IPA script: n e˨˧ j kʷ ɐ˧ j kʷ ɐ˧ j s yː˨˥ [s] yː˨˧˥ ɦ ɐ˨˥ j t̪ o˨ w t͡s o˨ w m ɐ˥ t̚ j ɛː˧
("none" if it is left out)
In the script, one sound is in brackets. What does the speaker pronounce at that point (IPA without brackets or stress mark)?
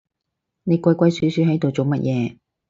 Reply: s